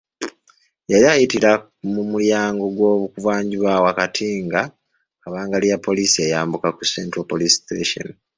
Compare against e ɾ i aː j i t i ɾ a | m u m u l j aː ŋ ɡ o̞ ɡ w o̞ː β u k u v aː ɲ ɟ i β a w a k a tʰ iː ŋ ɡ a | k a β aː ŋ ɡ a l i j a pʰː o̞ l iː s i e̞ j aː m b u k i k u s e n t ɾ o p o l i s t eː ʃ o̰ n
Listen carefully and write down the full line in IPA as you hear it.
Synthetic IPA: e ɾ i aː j i t i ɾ a | m u m u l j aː ŋ ɡ o̞ ɡ w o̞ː β u k u v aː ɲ ɟ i β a w a k a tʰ iː ŋ ɡ a | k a β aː ŋ ɡ a l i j a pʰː o̞ l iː s i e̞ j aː m b u k a k u s e n t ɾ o p o l i s t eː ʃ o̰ n